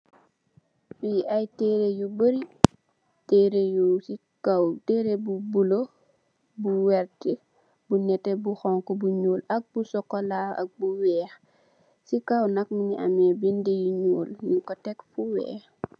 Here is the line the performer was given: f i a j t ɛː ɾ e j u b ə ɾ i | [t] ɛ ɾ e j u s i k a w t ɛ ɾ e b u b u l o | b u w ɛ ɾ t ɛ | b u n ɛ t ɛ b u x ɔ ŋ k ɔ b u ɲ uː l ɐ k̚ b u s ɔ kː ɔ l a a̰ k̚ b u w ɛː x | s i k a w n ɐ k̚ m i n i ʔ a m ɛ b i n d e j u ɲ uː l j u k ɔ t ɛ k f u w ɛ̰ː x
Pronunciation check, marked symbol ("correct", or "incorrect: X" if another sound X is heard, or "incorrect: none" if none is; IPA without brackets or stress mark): correct